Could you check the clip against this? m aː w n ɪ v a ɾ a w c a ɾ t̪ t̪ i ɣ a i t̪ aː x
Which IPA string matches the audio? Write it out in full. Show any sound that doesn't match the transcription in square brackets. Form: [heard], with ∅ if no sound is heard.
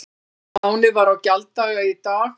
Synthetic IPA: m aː w n ɪ v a ɾ a w c a [l] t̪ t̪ [a] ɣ a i t̪ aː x

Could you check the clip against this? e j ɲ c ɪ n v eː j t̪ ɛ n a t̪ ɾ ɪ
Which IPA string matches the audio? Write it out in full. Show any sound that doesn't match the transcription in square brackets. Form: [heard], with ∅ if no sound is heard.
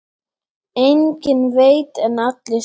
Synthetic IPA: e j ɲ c ɪ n v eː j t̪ ɛ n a t̪ [l] ɪ

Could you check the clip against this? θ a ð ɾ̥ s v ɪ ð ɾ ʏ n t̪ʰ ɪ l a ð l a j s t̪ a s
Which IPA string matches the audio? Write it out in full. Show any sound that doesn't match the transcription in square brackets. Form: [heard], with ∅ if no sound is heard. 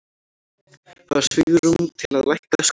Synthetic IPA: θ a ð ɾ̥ s v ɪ [ɣ] ɾ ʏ [m] t̪ʰ ɪ l a ð l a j [h] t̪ a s

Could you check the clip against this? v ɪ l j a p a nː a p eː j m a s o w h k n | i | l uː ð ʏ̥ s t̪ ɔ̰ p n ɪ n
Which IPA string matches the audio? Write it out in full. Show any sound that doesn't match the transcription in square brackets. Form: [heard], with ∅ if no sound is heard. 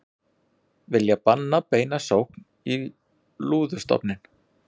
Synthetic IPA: v ɪ l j a p a nː a p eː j [n] a s o w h k n | i | l uː ð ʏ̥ s t̪ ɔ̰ p n ɪ n

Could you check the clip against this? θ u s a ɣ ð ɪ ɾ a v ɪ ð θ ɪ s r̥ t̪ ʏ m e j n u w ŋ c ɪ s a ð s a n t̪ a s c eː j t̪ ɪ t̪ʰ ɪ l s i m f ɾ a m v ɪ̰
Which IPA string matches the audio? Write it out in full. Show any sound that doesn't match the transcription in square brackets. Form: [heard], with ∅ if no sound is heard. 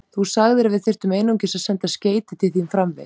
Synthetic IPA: θ u s a ɣ ð ɪ ɾ a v ɪ ð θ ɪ [∅] r̥ t̪ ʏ m e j n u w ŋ c ɪ s a ð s [ɛ] n t̪ a s c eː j t̪ ɪ t̪ʰ ɪ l [θ] i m f ɾ a m v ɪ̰

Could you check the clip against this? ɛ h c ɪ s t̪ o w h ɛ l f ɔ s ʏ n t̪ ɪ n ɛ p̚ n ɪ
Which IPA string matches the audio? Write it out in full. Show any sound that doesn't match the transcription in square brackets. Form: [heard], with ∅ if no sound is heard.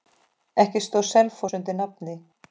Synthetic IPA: ɛ h c ɪ s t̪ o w [s] ɛ l f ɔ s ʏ n t̪ ɪ n [a] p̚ n ɪ

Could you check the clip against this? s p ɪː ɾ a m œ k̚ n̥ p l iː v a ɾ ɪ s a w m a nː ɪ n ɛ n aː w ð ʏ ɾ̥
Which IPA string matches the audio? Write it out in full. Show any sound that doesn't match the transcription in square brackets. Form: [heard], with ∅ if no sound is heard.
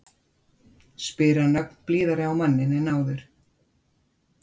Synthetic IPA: s p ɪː ɾ a [n] œ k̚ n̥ p l iː [ð] a ɾ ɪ [∅] a w m a nː ɪ n ɛ n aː w ð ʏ ɾ̥

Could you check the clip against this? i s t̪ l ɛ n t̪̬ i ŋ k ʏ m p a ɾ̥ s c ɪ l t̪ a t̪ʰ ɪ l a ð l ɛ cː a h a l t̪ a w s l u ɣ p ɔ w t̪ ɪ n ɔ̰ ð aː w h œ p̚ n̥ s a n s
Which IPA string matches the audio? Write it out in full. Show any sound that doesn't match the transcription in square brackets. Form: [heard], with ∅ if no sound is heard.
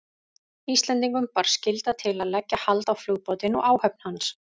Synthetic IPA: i s t̪ l ɛ n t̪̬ i ŋ k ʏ m p a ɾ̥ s c ɪ l t̪ a t̪ʰ ɪ l a ð l ɛ cː a h a l t̪ a w [f] l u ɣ p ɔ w t̪ ɪ n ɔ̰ [ɣ] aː w h œ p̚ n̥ [h] a n s

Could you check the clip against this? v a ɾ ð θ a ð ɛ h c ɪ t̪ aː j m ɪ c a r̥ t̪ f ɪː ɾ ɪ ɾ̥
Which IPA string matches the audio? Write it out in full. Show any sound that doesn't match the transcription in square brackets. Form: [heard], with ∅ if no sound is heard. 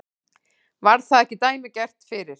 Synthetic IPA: v a ɾ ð θ a ð ɛ h c ɪ t̪ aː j m ɪ c [ɛ] r̥ t̪ f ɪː ɾ ɪ ɾ̥

